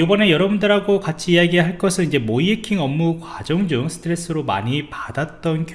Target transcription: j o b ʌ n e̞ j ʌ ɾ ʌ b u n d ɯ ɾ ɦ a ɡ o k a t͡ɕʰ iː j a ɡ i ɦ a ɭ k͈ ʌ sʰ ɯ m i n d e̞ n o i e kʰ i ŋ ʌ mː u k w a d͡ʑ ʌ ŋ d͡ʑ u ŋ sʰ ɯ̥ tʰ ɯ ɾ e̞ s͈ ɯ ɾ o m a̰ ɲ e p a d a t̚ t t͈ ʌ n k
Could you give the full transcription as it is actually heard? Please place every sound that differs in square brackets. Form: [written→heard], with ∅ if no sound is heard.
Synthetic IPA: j o b ʌ n e̞ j ʌ ɾ ʌ b u n d ɯ ɾ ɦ a ɡ o k a t͡ɕʰ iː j a ɡ i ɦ a ɭ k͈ ʌ sʰ ɯ [m→n] i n [d→d͡ʑ] e̞ [n→m] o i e kʰ i ŋ ʌ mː u k w a d͡ʑ ʌ ŋ d͡ʑ u ŋ sʰ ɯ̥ tʰ ɯ ɾ e̞ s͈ ɯ ɾ o m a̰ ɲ [e→i] p a d a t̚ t t͈ ʌ n k